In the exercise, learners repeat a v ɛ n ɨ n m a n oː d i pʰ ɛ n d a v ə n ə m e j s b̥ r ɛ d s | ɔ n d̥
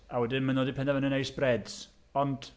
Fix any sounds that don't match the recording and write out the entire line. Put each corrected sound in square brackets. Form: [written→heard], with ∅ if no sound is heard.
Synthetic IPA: a [v→w] ɛ [n→d] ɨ n m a n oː d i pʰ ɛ n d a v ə n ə [m→n] e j s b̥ r ɛ d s | ɔ n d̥